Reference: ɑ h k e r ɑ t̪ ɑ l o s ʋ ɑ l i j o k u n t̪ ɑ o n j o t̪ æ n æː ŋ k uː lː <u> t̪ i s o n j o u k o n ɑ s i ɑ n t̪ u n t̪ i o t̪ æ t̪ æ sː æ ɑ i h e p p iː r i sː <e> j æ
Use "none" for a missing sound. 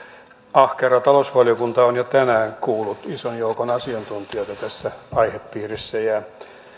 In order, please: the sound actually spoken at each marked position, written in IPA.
u, æ

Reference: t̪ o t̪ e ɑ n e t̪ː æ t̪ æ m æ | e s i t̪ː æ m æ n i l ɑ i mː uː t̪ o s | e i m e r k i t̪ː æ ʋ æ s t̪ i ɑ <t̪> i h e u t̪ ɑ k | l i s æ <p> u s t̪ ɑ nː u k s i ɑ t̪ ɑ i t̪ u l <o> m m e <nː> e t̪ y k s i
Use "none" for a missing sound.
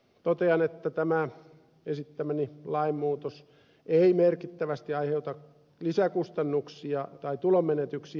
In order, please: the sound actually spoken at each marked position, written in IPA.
none, k, o, n

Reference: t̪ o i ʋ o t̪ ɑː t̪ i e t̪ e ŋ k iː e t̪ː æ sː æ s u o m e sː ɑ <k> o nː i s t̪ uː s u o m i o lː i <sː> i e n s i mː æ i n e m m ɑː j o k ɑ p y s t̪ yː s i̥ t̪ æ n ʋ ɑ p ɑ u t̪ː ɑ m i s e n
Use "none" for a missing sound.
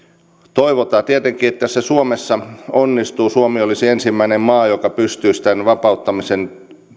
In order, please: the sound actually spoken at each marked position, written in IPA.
none, s

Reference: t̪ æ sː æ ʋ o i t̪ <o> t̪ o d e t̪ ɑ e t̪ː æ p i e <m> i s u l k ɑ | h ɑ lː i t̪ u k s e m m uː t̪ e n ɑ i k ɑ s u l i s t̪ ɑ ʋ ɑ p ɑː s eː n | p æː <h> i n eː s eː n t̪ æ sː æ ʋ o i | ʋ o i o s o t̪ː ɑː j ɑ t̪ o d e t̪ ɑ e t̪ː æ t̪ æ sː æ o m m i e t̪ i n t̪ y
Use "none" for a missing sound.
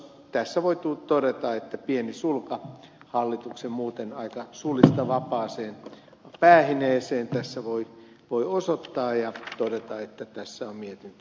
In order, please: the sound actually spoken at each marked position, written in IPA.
u, n, h

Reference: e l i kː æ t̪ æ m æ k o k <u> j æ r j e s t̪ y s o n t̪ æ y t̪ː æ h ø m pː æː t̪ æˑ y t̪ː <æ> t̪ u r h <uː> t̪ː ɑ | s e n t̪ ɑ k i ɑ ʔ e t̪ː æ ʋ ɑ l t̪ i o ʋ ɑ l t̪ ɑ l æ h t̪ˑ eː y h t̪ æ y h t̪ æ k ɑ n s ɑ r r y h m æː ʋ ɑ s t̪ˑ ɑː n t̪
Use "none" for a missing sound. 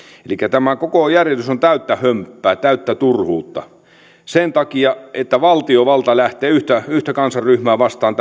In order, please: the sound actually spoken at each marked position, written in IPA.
o, æ, uː

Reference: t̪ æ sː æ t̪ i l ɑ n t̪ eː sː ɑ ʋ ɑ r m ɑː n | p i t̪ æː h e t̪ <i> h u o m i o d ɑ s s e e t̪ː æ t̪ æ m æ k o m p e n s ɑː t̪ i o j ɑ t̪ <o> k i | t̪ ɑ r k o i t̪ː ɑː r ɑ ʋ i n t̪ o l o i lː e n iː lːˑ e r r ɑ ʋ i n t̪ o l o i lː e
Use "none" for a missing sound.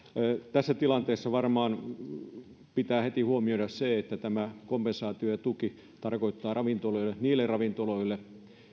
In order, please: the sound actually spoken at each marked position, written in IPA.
i, u

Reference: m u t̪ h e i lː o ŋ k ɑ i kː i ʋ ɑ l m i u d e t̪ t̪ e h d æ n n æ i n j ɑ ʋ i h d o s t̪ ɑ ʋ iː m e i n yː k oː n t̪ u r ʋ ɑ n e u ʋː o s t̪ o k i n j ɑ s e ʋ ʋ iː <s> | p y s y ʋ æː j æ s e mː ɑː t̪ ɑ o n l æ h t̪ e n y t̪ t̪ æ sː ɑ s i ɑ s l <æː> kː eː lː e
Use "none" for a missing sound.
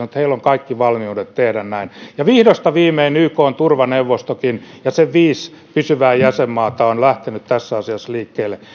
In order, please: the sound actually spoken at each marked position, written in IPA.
s, iː

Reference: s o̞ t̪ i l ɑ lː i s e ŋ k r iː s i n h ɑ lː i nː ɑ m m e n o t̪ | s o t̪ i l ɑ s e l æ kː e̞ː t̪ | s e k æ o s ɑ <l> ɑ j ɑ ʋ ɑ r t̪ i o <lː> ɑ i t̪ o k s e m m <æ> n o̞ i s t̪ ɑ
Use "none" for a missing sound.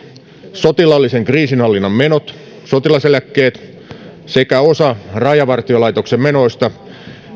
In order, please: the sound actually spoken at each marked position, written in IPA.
r, l, e

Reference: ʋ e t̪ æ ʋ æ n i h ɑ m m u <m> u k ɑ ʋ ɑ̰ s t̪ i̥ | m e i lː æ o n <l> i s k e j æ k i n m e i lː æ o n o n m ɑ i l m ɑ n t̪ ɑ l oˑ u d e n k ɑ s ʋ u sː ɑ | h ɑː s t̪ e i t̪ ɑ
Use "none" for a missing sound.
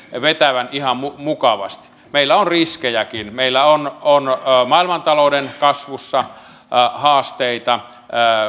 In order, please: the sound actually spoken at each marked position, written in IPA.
m, r

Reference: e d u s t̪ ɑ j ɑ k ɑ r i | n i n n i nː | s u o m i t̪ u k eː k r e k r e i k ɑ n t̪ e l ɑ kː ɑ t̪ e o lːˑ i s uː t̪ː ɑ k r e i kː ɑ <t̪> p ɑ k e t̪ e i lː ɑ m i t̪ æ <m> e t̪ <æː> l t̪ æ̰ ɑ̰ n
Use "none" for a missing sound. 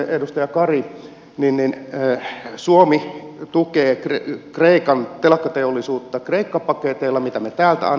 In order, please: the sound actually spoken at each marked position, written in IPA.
none, m, æː

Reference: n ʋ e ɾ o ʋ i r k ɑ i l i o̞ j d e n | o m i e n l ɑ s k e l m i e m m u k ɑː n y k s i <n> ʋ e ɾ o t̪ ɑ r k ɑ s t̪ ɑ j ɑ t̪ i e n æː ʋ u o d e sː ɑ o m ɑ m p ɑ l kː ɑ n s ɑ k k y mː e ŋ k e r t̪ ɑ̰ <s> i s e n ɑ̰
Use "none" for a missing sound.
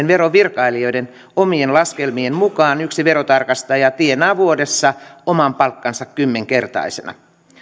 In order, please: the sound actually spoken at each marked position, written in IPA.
none, none

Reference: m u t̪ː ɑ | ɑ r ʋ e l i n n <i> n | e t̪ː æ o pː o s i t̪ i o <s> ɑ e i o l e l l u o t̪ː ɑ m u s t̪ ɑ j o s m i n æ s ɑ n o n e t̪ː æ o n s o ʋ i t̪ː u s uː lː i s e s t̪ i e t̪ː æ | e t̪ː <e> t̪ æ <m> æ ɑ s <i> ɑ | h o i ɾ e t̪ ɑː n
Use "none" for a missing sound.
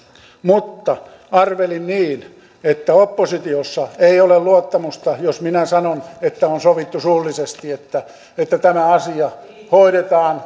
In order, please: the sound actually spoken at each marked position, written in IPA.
iː, sː, æ, m, i

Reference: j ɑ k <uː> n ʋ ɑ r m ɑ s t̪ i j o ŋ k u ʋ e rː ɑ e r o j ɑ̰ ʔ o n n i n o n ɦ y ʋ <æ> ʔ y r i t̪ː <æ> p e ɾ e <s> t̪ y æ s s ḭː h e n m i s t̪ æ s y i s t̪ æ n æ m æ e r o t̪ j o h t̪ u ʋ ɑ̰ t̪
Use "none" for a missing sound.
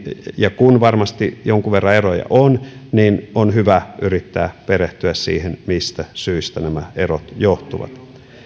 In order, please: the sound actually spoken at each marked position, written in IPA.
u, æ, æː, h

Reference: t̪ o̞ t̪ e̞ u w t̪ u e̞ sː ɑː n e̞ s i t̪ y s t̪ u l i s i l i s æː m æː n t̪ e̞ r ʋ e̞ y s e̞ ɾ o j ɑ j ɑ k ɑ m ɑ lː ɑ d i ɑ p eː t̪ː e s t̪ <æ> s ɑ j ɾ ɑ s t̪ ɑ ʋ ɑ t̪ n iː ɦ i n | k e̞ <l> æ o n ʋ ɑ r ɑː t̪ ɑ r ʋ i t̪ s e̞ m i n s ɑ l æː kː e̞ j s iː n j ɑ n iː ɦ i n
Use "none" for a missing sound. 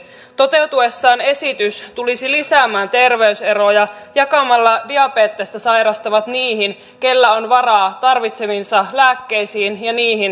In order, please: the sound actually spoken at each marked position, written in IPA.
æ, lː

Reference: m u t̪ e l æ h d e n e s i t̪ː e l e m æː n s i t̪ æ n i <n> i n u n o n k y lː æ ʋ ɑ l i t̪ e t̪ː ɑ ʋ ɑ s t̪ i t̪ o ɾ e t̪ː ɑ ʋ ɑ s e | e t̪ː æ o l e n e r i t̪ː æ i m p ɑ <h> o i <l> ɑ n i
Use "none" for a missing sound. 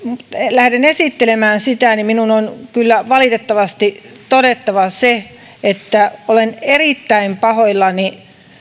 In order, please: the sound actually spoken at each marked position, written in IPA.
m, h, lː

